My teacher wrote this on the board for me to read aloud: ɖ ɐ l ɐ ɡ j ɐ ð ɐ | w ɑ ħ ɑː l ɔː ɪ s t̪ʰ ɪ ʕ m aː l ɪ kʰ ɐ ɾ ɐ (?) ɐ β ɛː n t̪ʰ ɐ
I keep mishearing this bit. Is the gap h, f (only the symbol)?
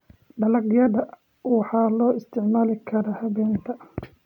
h